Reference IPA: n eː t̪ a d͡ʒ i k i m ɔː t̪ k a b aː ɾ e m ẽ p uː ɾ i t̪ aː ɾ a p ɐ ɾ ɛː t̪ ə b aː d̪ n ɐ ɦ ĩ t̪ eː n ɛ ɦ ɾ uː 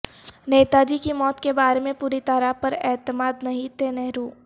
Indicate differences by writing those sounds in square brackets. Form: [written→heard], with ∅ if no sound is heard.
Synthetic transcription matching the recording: n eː t̪ a d͡ʒ i k i m ɔː t̪ k [a→e] b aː ɾ e m ẽ p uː ɾ i t̪ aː ɾ a p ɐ ɾ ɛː t̪ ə [b→m] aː d̪ n ɐ ɦ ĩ t̪ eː n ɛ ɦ ɾ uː